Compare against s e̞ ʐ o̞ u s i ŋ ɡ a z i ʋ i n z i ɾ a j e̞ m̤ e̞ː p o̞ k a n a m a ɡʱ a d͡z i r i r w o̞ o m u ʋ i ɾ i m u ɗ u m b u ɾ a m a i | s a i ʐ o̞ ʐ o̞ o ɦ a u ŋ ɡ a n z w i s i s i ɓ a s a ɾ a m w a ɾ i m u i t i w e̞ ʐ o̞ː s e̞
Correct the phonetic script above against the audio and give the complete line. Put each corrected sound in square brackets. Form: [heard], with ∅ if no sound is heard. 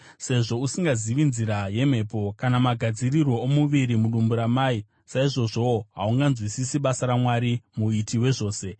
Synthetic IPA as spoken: s e̞ ʐ o̞ u s i ŋ ɡ a z i ʋ i n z i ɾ a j e̞ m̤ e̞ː p o̞ k a n a m a ɡʱ a d͡z i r i r w o̞ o m u ʋ i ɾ i m u ɗ u m b u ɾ a m a i | s a i ʐ o̞ ʐ o̞ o ɦ a u ŋ ɡ a n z w i s i s i ɓ a s a ɾ a m w a ɾ i m u i t i w e̞ ʐ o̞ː s e̞